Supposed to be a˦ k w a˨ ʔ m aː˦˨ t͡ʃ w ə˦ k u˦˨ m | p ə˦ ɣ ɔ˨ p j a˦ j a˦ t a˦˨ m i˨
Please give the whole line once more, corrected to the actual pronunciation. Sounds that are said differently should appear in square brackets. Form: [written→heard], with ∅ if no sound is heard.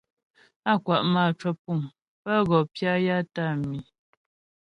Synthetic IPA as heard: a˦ k w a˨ ʔ m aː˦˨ t͡ʃ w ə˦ [k→p] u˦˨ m | p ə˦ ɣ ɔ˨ p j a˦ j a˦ t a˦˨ m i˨